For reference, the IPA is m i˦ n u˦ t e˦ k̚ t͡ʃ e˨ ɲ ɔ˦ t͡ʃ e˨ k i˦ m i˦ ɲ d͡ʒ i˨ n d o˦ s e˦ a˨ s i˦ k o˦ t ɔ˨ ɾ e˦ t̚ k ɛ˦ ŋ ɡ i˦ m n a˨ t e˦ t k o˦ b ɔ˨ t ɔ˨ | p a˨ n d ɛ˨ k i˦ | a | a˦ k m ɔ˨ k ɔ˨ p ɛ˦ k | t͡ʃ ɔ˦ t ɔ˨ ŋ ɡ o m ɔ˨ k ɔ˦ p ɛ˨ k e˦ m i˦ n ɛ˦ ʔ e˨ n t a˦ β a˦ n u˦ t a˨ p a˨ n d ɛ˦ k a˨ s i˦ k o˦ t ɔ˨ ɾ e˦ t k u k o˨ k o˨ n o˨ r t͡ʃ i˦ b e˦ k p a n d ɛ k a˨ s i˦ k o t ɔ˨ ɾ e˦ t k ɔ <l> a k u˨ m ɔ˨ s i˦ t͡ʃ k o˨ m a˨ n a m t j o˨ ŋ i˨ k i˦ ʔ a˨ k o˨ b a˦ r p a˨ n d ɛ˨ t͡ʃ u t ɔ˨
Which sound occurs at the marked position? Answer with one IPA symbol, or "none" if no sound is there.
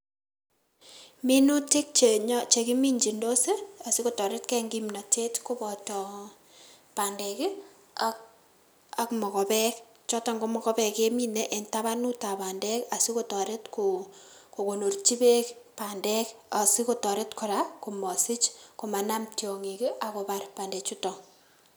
ɾ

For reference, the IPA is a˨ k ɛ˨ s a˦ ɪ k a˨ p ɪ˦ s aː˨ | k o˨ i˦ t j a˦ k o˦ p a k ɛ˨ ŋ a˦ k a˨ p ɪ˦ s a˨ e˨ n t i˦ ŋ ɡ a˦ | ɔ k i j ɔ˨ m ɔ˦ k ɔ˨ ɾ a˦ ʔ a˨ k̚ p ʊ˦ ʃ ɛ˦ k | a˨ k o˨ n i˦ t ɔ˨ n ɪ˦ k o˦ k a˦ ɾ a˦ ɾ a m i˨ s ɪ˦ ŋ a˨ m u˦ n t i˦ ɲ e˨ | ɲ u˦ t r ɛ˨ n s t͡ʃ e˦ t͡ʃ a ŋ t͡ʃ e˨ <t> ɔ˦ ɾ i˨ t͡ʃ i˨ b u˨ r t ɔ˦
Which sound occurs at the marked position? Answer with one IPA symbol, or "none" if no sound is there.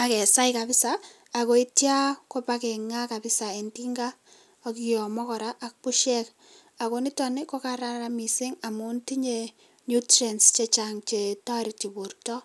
t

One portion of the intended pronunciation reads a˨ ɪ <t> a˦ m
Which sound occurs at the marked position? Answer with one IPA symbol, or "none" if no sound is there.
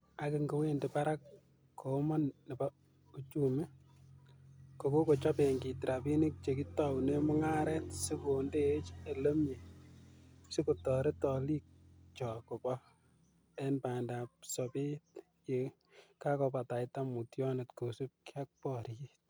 t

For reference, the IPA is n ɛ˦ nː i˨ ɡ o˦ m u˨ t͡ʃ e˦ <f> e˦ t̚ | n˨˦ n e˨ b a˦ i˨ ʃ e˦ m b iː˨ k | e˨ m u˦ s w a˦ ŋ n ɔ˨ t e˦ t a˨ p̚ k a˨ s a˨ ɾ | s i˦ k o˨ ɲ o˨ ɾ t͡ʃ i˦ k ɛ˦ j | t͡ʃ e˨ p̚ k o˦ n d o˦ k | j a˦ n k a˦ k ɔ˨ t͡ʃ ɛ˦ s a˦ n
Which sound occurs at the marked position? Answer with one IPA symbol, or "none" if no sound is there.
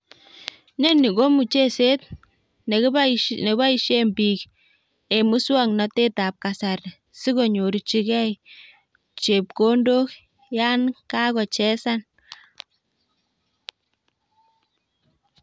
s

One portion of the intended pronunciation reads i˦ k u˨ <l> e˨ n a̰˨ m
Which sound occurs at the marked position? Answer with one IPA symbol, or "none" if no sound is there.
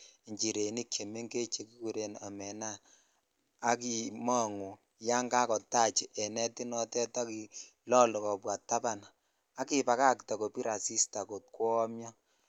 ɾ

